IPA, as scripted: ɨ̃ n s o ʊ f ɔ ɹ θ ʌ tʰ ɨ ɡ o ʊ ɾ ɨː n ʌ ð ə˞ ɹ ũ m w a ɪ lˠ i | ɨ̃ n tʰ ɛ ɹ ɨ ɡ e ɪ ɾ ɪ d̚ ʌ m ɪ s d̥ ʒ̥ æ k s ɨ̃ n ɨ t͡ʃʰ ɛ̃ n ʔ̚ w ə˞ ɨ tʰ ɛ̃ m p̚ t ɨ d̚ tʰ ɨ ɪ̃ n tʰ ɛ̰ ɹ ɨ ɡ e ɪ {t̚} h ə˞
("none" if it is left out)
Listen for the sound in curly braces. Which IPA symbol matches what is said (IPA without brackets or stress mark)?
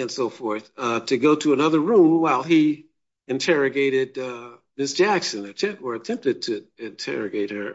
t̚